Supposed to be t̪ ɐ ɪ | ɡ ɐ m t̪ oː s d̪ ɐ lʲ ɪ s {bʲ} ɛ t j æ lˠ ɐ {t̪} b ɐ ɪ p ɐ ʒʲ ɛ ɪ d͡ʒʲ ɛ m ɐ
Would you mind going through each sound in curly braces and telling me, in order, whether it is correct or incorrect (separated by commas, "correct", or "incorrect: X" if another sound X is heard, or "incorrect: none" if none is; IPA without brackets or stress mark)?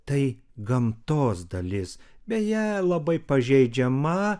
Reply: correct, incorrect: none